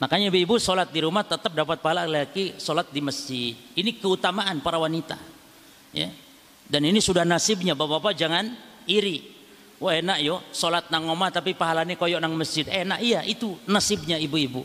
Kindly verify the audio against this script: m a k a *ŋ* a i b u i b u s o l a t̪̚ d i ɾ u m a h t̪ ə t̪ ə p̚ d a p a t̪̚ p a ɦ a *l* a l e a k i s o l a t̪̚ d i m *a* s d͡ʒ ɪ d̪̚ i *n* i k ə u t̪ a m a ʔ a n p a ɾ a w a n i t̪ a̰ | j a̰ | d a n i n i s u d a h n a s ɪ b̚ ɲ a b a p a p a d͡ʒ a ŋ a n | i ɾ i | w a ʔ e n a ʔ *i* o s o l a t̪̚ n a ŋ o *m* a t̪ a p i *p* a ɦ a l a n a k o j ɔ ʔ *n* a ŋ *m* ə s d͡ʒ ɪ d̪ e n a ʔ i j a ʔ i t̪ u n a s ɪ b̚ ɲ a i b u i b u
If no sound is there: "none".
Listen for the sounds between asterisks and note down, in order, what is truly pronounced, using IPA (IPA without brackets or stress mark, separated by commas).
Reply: ɲ, l, ə, n, j, m, p, n, m